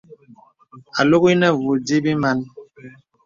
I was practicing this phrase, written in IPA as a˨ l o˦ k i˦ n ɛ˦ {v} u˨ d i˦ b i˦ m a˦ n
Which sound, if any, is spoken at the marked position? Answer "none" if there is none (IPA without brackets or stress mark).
v